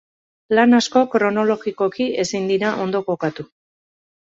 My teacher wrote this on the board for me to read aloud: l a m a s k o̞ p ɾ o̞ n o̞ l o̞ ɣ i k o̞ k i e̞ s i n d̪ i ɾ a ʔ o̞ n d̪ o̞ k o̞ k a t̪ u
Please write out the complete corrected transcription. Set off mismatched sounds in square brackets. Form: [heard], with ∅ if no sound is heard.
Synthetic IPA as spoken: l a [n] a s k o̞ [k] ɾ o̞ n o̞ l o̞ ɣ i k o̞ k i e̞ s i n d̪ i ɾ a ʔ o̞ n d̪ o̞ k o̞ k a t̪ u